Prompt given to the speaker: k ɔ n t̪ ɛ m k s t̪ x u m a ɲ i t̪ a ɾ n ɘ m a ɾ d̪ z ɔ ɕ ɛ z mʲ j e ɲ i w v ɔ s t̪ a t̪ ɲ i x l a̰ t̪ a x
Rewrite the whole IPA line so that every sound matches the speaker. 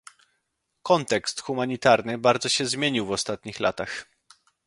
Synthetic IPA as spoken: k ɔ n t̪ ɛ k s t̪ x u m a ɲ i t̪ a ɾ n ɘ b a ɾ d̪ z ɔ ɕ ɛ z mʲ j e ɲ i w v ɔ s t̪ a t̪ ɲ i x l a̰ t̪ a x